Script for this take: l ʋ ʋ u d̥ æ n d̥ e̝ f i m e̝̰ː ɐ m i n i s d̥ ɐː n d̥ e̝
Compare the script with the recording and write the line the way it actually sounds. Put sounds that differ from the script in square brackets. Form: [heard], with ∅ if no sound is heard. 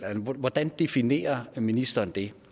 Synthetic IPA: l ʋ ʋ [ɒ] d̥ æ n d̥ e̝ f i [n] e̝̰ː ɐ m i n i s d̥ ɐː n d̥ e̝